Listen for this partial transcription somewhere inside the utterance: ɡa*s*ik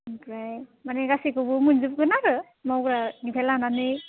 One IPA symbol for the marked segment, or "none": s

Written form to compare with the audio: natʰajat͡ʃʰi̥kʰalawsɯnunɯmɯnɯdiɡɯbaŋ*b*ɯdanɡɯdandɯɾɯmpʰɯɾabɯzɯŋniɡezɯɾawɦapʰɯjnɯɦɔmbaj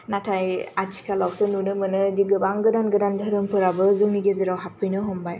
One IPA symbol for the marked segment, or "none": ɡ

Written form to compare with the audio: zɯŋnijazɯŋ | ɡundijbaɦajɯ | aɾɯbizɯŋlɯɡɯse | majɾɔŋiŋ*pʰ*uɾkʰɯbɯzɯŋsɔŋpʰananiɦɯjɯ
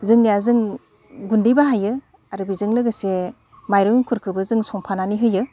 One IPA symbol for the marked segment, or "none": kʰ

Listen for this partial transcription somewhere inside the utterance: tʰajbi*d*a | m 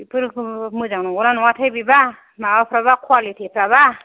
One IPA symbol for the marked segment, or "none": b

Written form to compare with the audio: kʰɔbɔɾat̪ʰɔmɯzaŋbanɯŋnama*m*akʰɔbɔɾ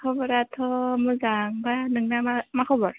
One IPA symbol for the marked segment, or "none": m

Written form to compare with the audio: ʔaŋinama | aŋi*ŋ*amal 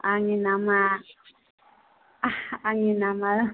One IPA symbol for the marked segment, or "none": n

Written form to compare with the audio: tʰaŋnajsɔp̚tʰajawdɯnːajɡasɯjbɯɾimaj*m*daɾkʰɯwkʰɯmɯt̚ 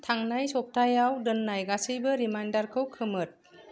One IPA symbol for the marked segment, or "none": n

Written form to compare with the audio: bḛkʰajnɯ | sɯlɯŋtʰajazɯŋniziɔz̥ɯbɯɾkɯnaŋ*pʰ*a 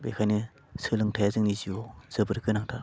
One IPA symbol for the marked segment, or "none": tʰ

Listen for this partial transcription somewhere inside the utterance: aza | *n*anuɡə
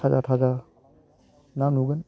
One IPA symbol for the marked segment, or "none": n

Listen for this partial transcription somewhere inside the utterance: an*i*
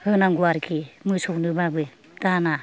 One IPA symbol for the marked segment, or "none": a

